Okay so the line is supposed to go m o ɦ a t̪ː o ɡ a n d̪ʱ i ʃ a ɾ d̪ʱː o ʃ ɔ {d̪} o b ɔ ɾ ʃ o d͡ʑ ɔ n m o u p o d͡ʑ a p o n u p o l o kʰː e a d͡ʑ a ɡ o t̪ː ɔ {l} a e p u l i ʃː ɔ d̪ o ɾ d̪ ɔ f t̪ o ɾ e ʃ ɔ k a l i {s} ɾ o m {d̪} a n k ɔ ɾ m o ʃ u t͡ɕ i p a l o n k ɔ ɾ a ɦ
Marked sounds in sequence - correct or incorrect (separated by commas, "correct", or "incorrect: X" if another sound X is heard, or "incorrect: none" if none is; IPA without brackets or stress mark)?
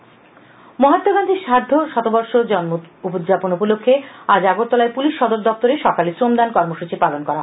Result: incorrect: t̪, correct, correct, correct